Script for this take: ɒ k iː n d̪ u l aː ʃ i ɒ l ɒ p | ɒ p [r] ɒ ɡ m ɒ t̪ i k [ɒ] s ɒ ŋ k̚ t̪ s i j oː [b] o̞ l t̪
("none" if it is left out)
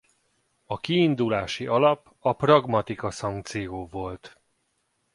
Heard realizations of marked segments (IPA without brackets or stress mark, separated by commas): r, ɒ, v